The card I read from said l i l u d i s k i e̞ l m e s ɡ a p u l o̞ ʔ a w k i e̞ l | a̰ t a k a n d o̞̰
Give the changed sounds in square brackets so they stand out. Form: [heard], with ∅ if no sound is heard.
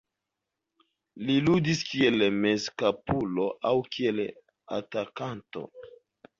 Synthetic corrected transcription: l i l u d i s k i e̞ l m e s [k] a p u l o̞ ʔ a w k i e̞ l | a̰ t a k a n [t] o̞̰

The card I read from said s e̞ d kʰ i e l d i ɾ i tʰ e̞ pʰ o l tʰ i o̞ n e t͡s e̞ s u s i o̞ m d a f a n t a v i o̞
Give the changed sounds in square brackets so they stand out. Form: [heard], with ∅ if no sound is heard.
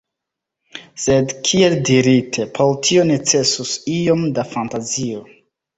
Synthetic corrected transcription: s e̞ d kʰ i e l d i ɾ i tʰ e̞ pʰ o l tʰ i o̞ n e t͡s e̞ s u s i o̞ m d a f a n t a [z] i o̞

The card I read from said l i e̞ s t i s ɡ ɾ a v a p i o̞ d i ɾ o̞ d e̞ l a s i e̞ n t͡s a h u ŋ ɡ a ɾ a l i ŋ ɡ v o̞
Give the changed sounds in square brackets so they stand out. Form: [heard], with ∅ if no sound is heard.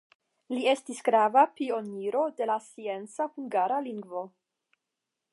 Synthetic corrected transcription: l i e̞ s t i s ɡ ɾ a v a p i o̞ [n] i ɾ o̞ d e̞ l a s i e̞ n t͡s a h u ŋ ɡ a ɾ a l i ŋ ɡ v o̞

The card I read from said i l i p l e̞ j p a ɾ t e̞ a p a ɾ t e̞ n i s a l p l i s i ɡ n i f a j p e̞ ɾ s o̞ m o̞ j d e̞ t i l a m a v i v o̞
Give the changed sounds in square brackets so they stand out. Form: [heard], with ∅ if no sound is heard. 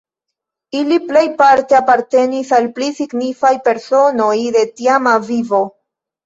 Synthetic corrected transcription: i l i p l e̞ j p a ɾ t e̞ a p a ɾ t e̞ n i s a l p l i s i ɡ n i f a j p e̞ ɾ s o̞ [n] o̞ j d e̞ t i [∅] a m a v i v o̞

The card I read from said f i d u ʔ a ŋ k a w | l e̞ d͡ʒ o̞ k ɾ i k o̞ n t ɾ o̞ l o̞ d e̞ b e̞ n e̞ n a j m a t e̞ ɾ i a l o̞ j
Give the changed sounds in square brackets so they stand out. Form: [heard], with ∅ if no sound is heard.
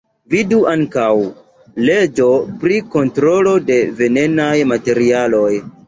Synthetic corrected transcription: [v] i d u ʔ a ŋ k a w | l e̞ d͡ʒ o̞ [p] ɾ i k o̞ n t ɾ o̞ l o̞ d e̞ [v] e̞ n e̞ n a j m a t e̞ ɾ i a l o̞ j

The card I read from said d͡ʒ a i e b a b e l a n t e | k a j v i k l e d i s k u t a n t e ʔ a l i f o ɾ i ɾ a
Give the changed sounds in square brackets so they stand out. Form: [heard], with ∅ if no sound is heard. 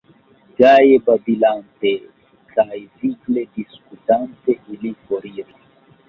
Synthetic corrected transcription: d͡ʒ a [j] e b a b [i] l a n t e | k a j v i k l e d i s k u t a n t e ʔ [i] l i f o ɾ i ɾ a

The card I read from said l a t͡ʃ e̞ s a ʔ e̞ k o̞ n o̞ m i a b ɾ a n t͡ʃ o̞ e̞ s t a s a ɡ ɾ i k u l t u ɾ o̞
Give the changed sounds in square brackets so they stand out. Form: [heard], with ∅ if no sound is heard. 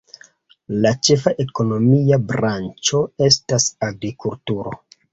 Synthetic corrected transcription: l a t͡ʃ e̞ [f] a ʔ e̞ k o̞ n o̞ m i a b ɾ a n t͡ʃ o̞ e̞ s t a s a ɡ ɾ i k u l t u ɾ o̞

